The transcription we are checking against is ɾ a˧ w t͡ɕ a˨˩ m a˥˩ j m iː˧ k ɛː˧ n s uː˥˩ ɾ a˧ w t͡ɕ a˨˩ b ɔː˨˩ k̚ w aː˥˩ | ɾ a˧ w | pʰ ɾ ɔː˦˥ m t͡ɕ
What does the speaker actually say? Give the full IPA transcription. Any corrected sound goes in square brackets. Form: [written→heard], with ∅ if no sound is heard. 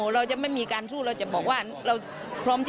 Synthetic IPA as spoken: ɾ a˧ w t͡ɕ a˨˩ m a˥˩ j m iː˧ k [ɛː˧→aː˧] n s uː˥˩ ɾ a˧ w t͡ɕ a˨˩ b ɔː˨˩ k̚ w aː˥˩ | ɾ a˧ w | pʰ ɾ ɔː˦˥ m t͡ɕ